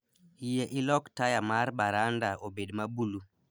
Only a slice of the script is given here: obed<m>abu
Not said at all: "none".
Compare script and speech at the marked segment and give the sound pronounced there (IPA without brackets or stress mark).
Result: m